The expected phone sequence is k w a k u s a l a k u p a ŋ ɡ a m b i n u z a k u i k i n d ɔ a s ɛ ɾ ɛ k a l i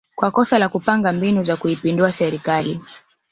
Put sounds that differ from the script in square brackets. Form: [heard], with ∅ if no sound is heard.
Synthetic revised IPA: k w a k [ɔ] s a l a k u p a ŋ ɡ a m b i n u z a k u i [p] i n d [u] a s ɛ ɾ [i] k a l i